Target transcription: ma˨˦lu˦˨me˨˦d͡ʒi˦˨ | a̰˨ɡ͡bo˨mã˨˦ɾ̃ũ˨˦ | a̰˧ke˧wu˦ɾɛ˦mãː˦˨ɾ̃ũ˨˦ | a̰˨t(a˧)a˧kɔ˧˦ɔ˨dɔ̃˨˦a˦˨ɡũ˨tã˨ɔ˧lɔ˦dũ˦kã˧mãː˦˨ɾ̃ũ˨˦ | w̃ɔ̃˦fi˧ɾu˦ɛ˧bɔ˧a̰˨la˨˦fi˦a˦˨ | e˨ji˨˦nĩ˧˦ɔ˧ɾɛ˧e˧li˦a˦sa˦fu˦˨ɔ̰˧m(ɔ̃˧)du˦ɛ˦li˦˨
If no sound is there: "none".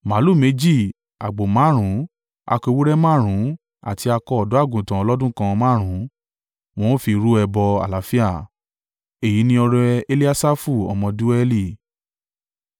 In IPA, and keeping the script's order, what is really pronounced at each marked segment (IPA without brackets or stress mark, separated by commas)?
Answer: i˧, ɔ̃˧